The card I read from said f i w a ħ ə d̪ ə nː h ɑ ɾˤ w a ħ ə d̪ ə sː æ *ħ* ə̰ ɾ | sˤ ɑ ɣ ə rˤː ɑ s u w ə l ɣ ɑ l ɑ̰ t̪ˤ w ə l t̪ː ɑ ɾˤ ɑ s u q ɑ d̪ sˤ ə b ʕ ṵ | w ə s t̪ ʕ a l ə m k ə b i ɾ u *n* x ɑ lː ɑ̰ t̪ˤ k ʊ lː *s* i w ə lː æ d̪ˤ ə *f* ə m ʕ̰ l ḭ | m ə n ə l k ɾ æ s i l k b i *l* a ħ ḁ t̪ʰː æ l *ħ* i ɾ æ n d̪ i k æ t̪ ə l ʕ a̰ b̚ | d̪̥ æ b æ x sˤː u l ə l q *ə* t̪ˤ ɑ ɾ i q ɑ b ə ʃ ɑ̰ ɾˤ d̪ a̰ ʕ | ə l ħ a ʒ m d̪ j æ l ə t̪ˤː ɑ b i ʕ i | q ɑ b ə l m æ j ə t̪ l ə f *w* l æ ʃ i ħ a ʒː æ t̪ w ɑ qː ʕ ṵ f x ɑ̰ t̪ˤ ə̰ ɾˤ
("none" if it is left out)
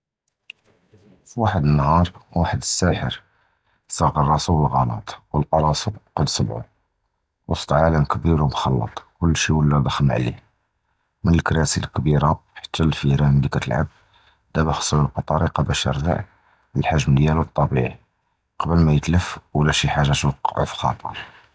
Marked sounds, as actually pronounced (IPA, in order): ħ, m, ʃ, x, ɾ, f, ɑ, w

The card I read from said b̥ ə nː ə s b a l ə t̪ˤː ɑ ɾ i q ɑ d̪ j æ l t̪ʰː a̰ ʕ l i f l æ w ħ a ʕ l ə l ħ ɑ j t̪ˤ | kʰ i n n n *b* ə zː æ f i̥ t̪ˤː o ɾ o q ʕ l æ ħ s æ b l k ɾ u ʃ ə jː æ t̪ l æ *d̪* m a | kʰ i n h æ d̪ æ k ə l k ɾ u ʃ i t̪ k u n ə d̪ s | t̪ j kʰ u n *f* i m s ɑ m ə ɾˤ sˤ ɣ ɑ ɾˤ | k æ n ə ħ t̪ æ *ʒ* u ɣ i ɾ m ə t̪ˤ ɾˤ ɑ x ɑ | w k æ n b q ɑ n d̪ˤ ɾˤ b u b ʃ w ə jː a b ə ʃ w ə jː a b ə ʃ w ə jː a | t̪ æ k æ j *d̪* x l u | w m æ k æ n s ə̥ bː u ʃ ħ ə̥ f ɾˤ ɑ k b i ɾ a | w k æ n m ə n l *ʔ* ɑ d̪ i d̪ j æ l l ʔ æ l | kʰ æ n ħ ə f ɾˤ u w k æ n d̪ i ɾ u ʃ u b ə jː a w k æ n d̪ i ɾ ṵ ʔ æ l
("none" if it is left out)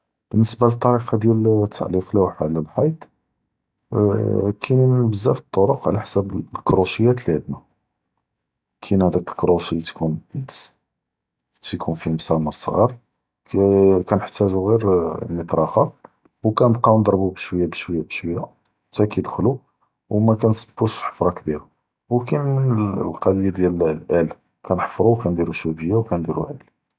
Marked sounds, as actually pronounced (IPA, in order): b, d̪, f, ʒ, d̪, q

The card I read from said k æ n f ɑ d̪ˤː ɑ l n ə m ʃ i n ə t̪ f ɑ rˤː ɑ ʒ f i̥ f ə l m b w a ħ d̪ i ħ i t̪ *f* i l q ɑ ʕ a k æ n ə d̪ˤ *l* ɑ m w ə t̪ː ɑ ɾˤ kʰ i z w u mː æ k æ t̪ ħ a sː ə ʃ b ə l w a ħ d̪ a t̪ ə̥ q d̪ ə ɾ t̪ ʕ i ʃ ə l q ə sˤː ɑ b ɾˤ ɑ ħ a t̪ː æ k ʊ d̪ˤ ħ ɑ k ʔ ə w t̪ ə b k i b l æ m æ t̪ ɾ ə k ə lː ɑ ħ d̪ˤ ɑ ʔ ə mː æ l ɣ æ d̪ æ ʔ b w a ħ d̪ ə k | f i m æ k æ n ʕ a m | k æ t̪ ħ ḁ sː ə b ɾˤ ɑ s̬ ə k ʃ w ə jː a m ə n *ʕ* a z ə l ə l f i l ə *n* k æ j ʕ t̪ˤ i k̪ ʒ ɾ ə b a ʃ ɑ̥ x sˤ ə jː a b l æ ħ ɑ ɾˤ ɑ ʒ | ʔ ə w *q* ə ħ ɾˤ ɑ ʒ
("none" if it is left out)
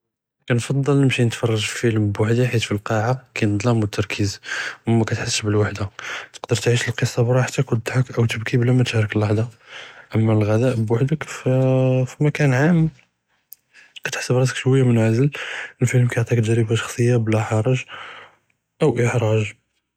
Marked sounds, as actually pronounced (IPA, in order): f, l, ʕ, m, ʔ

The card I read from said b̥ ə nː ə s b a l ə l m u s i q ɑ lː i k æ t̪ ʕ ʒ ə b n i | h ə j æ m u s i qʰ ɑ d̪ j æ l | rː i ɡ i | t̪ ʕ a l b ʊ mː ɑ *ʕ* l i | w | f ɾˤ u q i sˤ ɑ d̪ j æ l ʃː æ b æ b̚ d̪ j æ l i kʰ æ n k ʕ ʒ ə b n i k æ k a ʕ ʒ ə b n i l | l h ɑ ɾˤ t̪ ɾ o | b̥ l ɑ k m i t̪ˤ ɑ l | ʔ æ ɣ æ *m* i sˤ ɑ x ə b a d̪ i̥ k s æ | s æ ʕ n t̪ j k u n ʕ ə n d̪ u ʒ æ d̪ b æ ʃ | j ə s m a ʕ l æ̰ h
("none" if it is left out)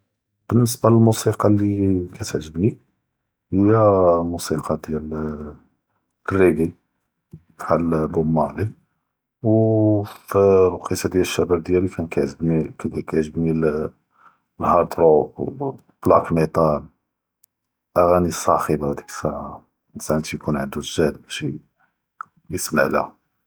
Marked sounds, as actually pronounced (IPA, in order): ʕ, n

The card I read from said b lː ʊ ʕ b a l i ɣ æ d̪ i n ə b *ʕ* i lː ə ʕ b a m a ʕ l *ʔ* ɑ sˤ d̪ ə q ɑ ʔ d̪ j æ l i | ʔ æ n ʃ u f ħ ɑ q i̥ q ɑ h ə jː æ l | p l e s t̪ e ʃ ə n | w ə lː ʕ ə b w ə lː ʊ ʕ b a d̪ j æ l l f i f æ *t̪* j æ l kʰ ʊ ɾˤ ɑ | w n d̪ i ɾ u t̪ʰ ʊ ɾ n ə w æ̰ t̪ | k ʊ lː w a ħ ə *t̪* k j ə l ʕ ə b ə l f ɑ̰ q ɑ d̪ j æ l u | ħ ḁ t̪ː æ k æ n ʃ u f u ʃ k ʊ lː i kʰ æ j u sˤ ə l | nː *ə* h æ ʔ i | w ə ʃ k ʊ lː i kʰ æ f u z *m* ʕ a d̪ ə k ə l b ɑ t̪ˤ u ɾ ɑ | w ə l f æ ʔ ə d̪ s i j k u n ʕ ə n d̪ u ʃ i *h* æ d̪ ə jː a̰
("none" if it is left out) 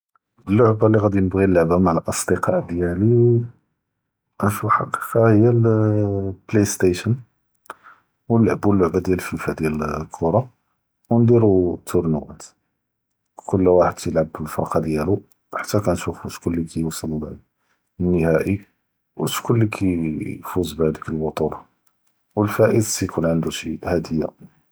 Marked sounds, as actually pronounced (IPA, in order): ɣ, ʔ, d̪, d̪, ə, b, h

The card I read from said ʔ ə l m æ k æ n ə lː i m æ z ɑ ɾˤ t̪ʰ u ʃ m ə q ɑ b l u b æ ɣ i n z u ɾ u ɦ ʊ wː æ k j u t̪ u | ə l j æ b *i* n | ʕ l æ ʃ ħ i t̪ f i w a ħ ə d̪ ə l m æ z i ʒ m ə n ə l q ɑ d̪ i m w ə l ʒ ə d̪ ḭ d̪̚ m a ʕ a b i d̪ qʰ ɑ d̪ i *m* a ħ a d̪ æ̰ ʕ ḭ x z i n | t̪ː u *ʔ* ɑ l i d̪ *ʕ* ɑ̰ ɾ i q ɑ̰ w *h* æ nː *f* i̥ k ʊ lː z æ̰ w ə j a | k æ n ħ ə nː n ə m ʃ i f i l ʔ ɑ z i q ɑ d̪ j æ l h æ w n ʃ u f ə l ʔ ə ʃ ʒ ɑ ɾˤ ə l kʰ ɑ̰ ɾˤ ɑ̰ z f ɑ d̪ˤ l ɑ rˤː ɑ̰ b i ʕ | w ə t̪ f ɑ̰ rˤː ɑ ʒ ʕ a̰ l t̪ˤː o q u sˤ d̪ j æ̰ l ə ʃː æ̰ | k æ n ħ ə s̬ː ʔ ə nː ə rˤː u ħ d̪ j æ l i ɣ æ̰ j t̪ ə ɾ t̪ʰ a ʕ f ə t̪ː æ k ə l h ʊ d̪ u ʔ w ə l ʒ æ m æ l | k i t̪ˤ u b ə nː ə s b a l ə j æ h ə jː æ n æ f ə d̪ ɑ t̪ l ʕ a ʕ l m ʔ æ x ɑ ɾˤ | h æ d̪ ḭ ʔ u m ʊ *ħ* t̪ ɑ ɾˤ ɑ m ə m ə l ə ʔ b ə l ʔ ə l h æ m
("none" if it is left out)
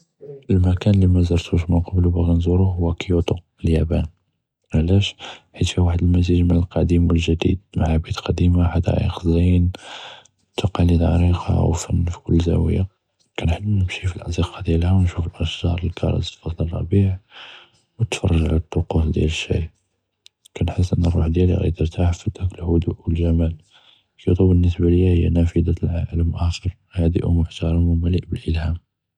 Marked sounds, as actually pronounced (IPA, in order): æ, m, q, ʕ, f, f, ħ

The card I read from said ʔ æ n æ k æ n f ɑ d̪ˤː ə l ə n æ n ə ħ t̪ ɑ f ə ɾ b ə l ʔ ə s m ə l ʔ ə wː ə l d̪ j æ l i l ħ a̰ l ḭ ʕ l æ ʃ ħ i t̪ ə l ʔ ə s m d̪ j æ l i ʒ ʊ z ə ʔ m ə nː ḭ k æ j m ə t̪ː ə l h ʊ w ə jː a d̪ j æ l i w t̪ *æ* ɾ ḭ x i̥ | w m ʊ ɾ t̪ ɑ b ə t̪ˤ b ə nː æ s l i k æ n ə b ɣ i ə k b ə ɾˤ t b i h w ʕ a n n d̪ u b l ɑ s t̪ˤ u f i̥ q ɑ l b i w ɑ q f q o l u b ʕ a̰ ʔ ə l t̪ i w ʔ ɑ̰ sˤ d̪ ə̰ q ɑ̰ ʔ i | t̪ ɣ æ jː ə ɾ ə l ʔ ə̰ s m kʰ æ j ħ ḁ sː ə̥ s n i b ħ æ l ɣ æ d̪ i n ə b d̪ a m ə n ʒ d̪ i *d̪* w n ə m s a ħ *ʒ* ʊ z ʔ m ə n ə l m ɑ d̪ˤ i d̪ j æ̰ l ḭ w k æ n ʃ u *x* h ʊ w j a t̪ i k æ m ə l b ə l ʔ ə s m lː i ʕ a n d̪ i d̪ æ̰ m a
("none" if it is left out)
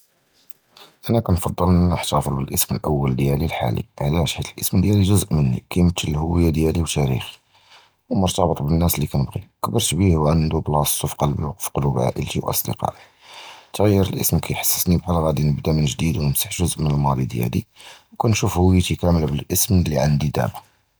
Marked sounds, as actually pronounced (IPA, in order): æ, d̪, ʒ, f

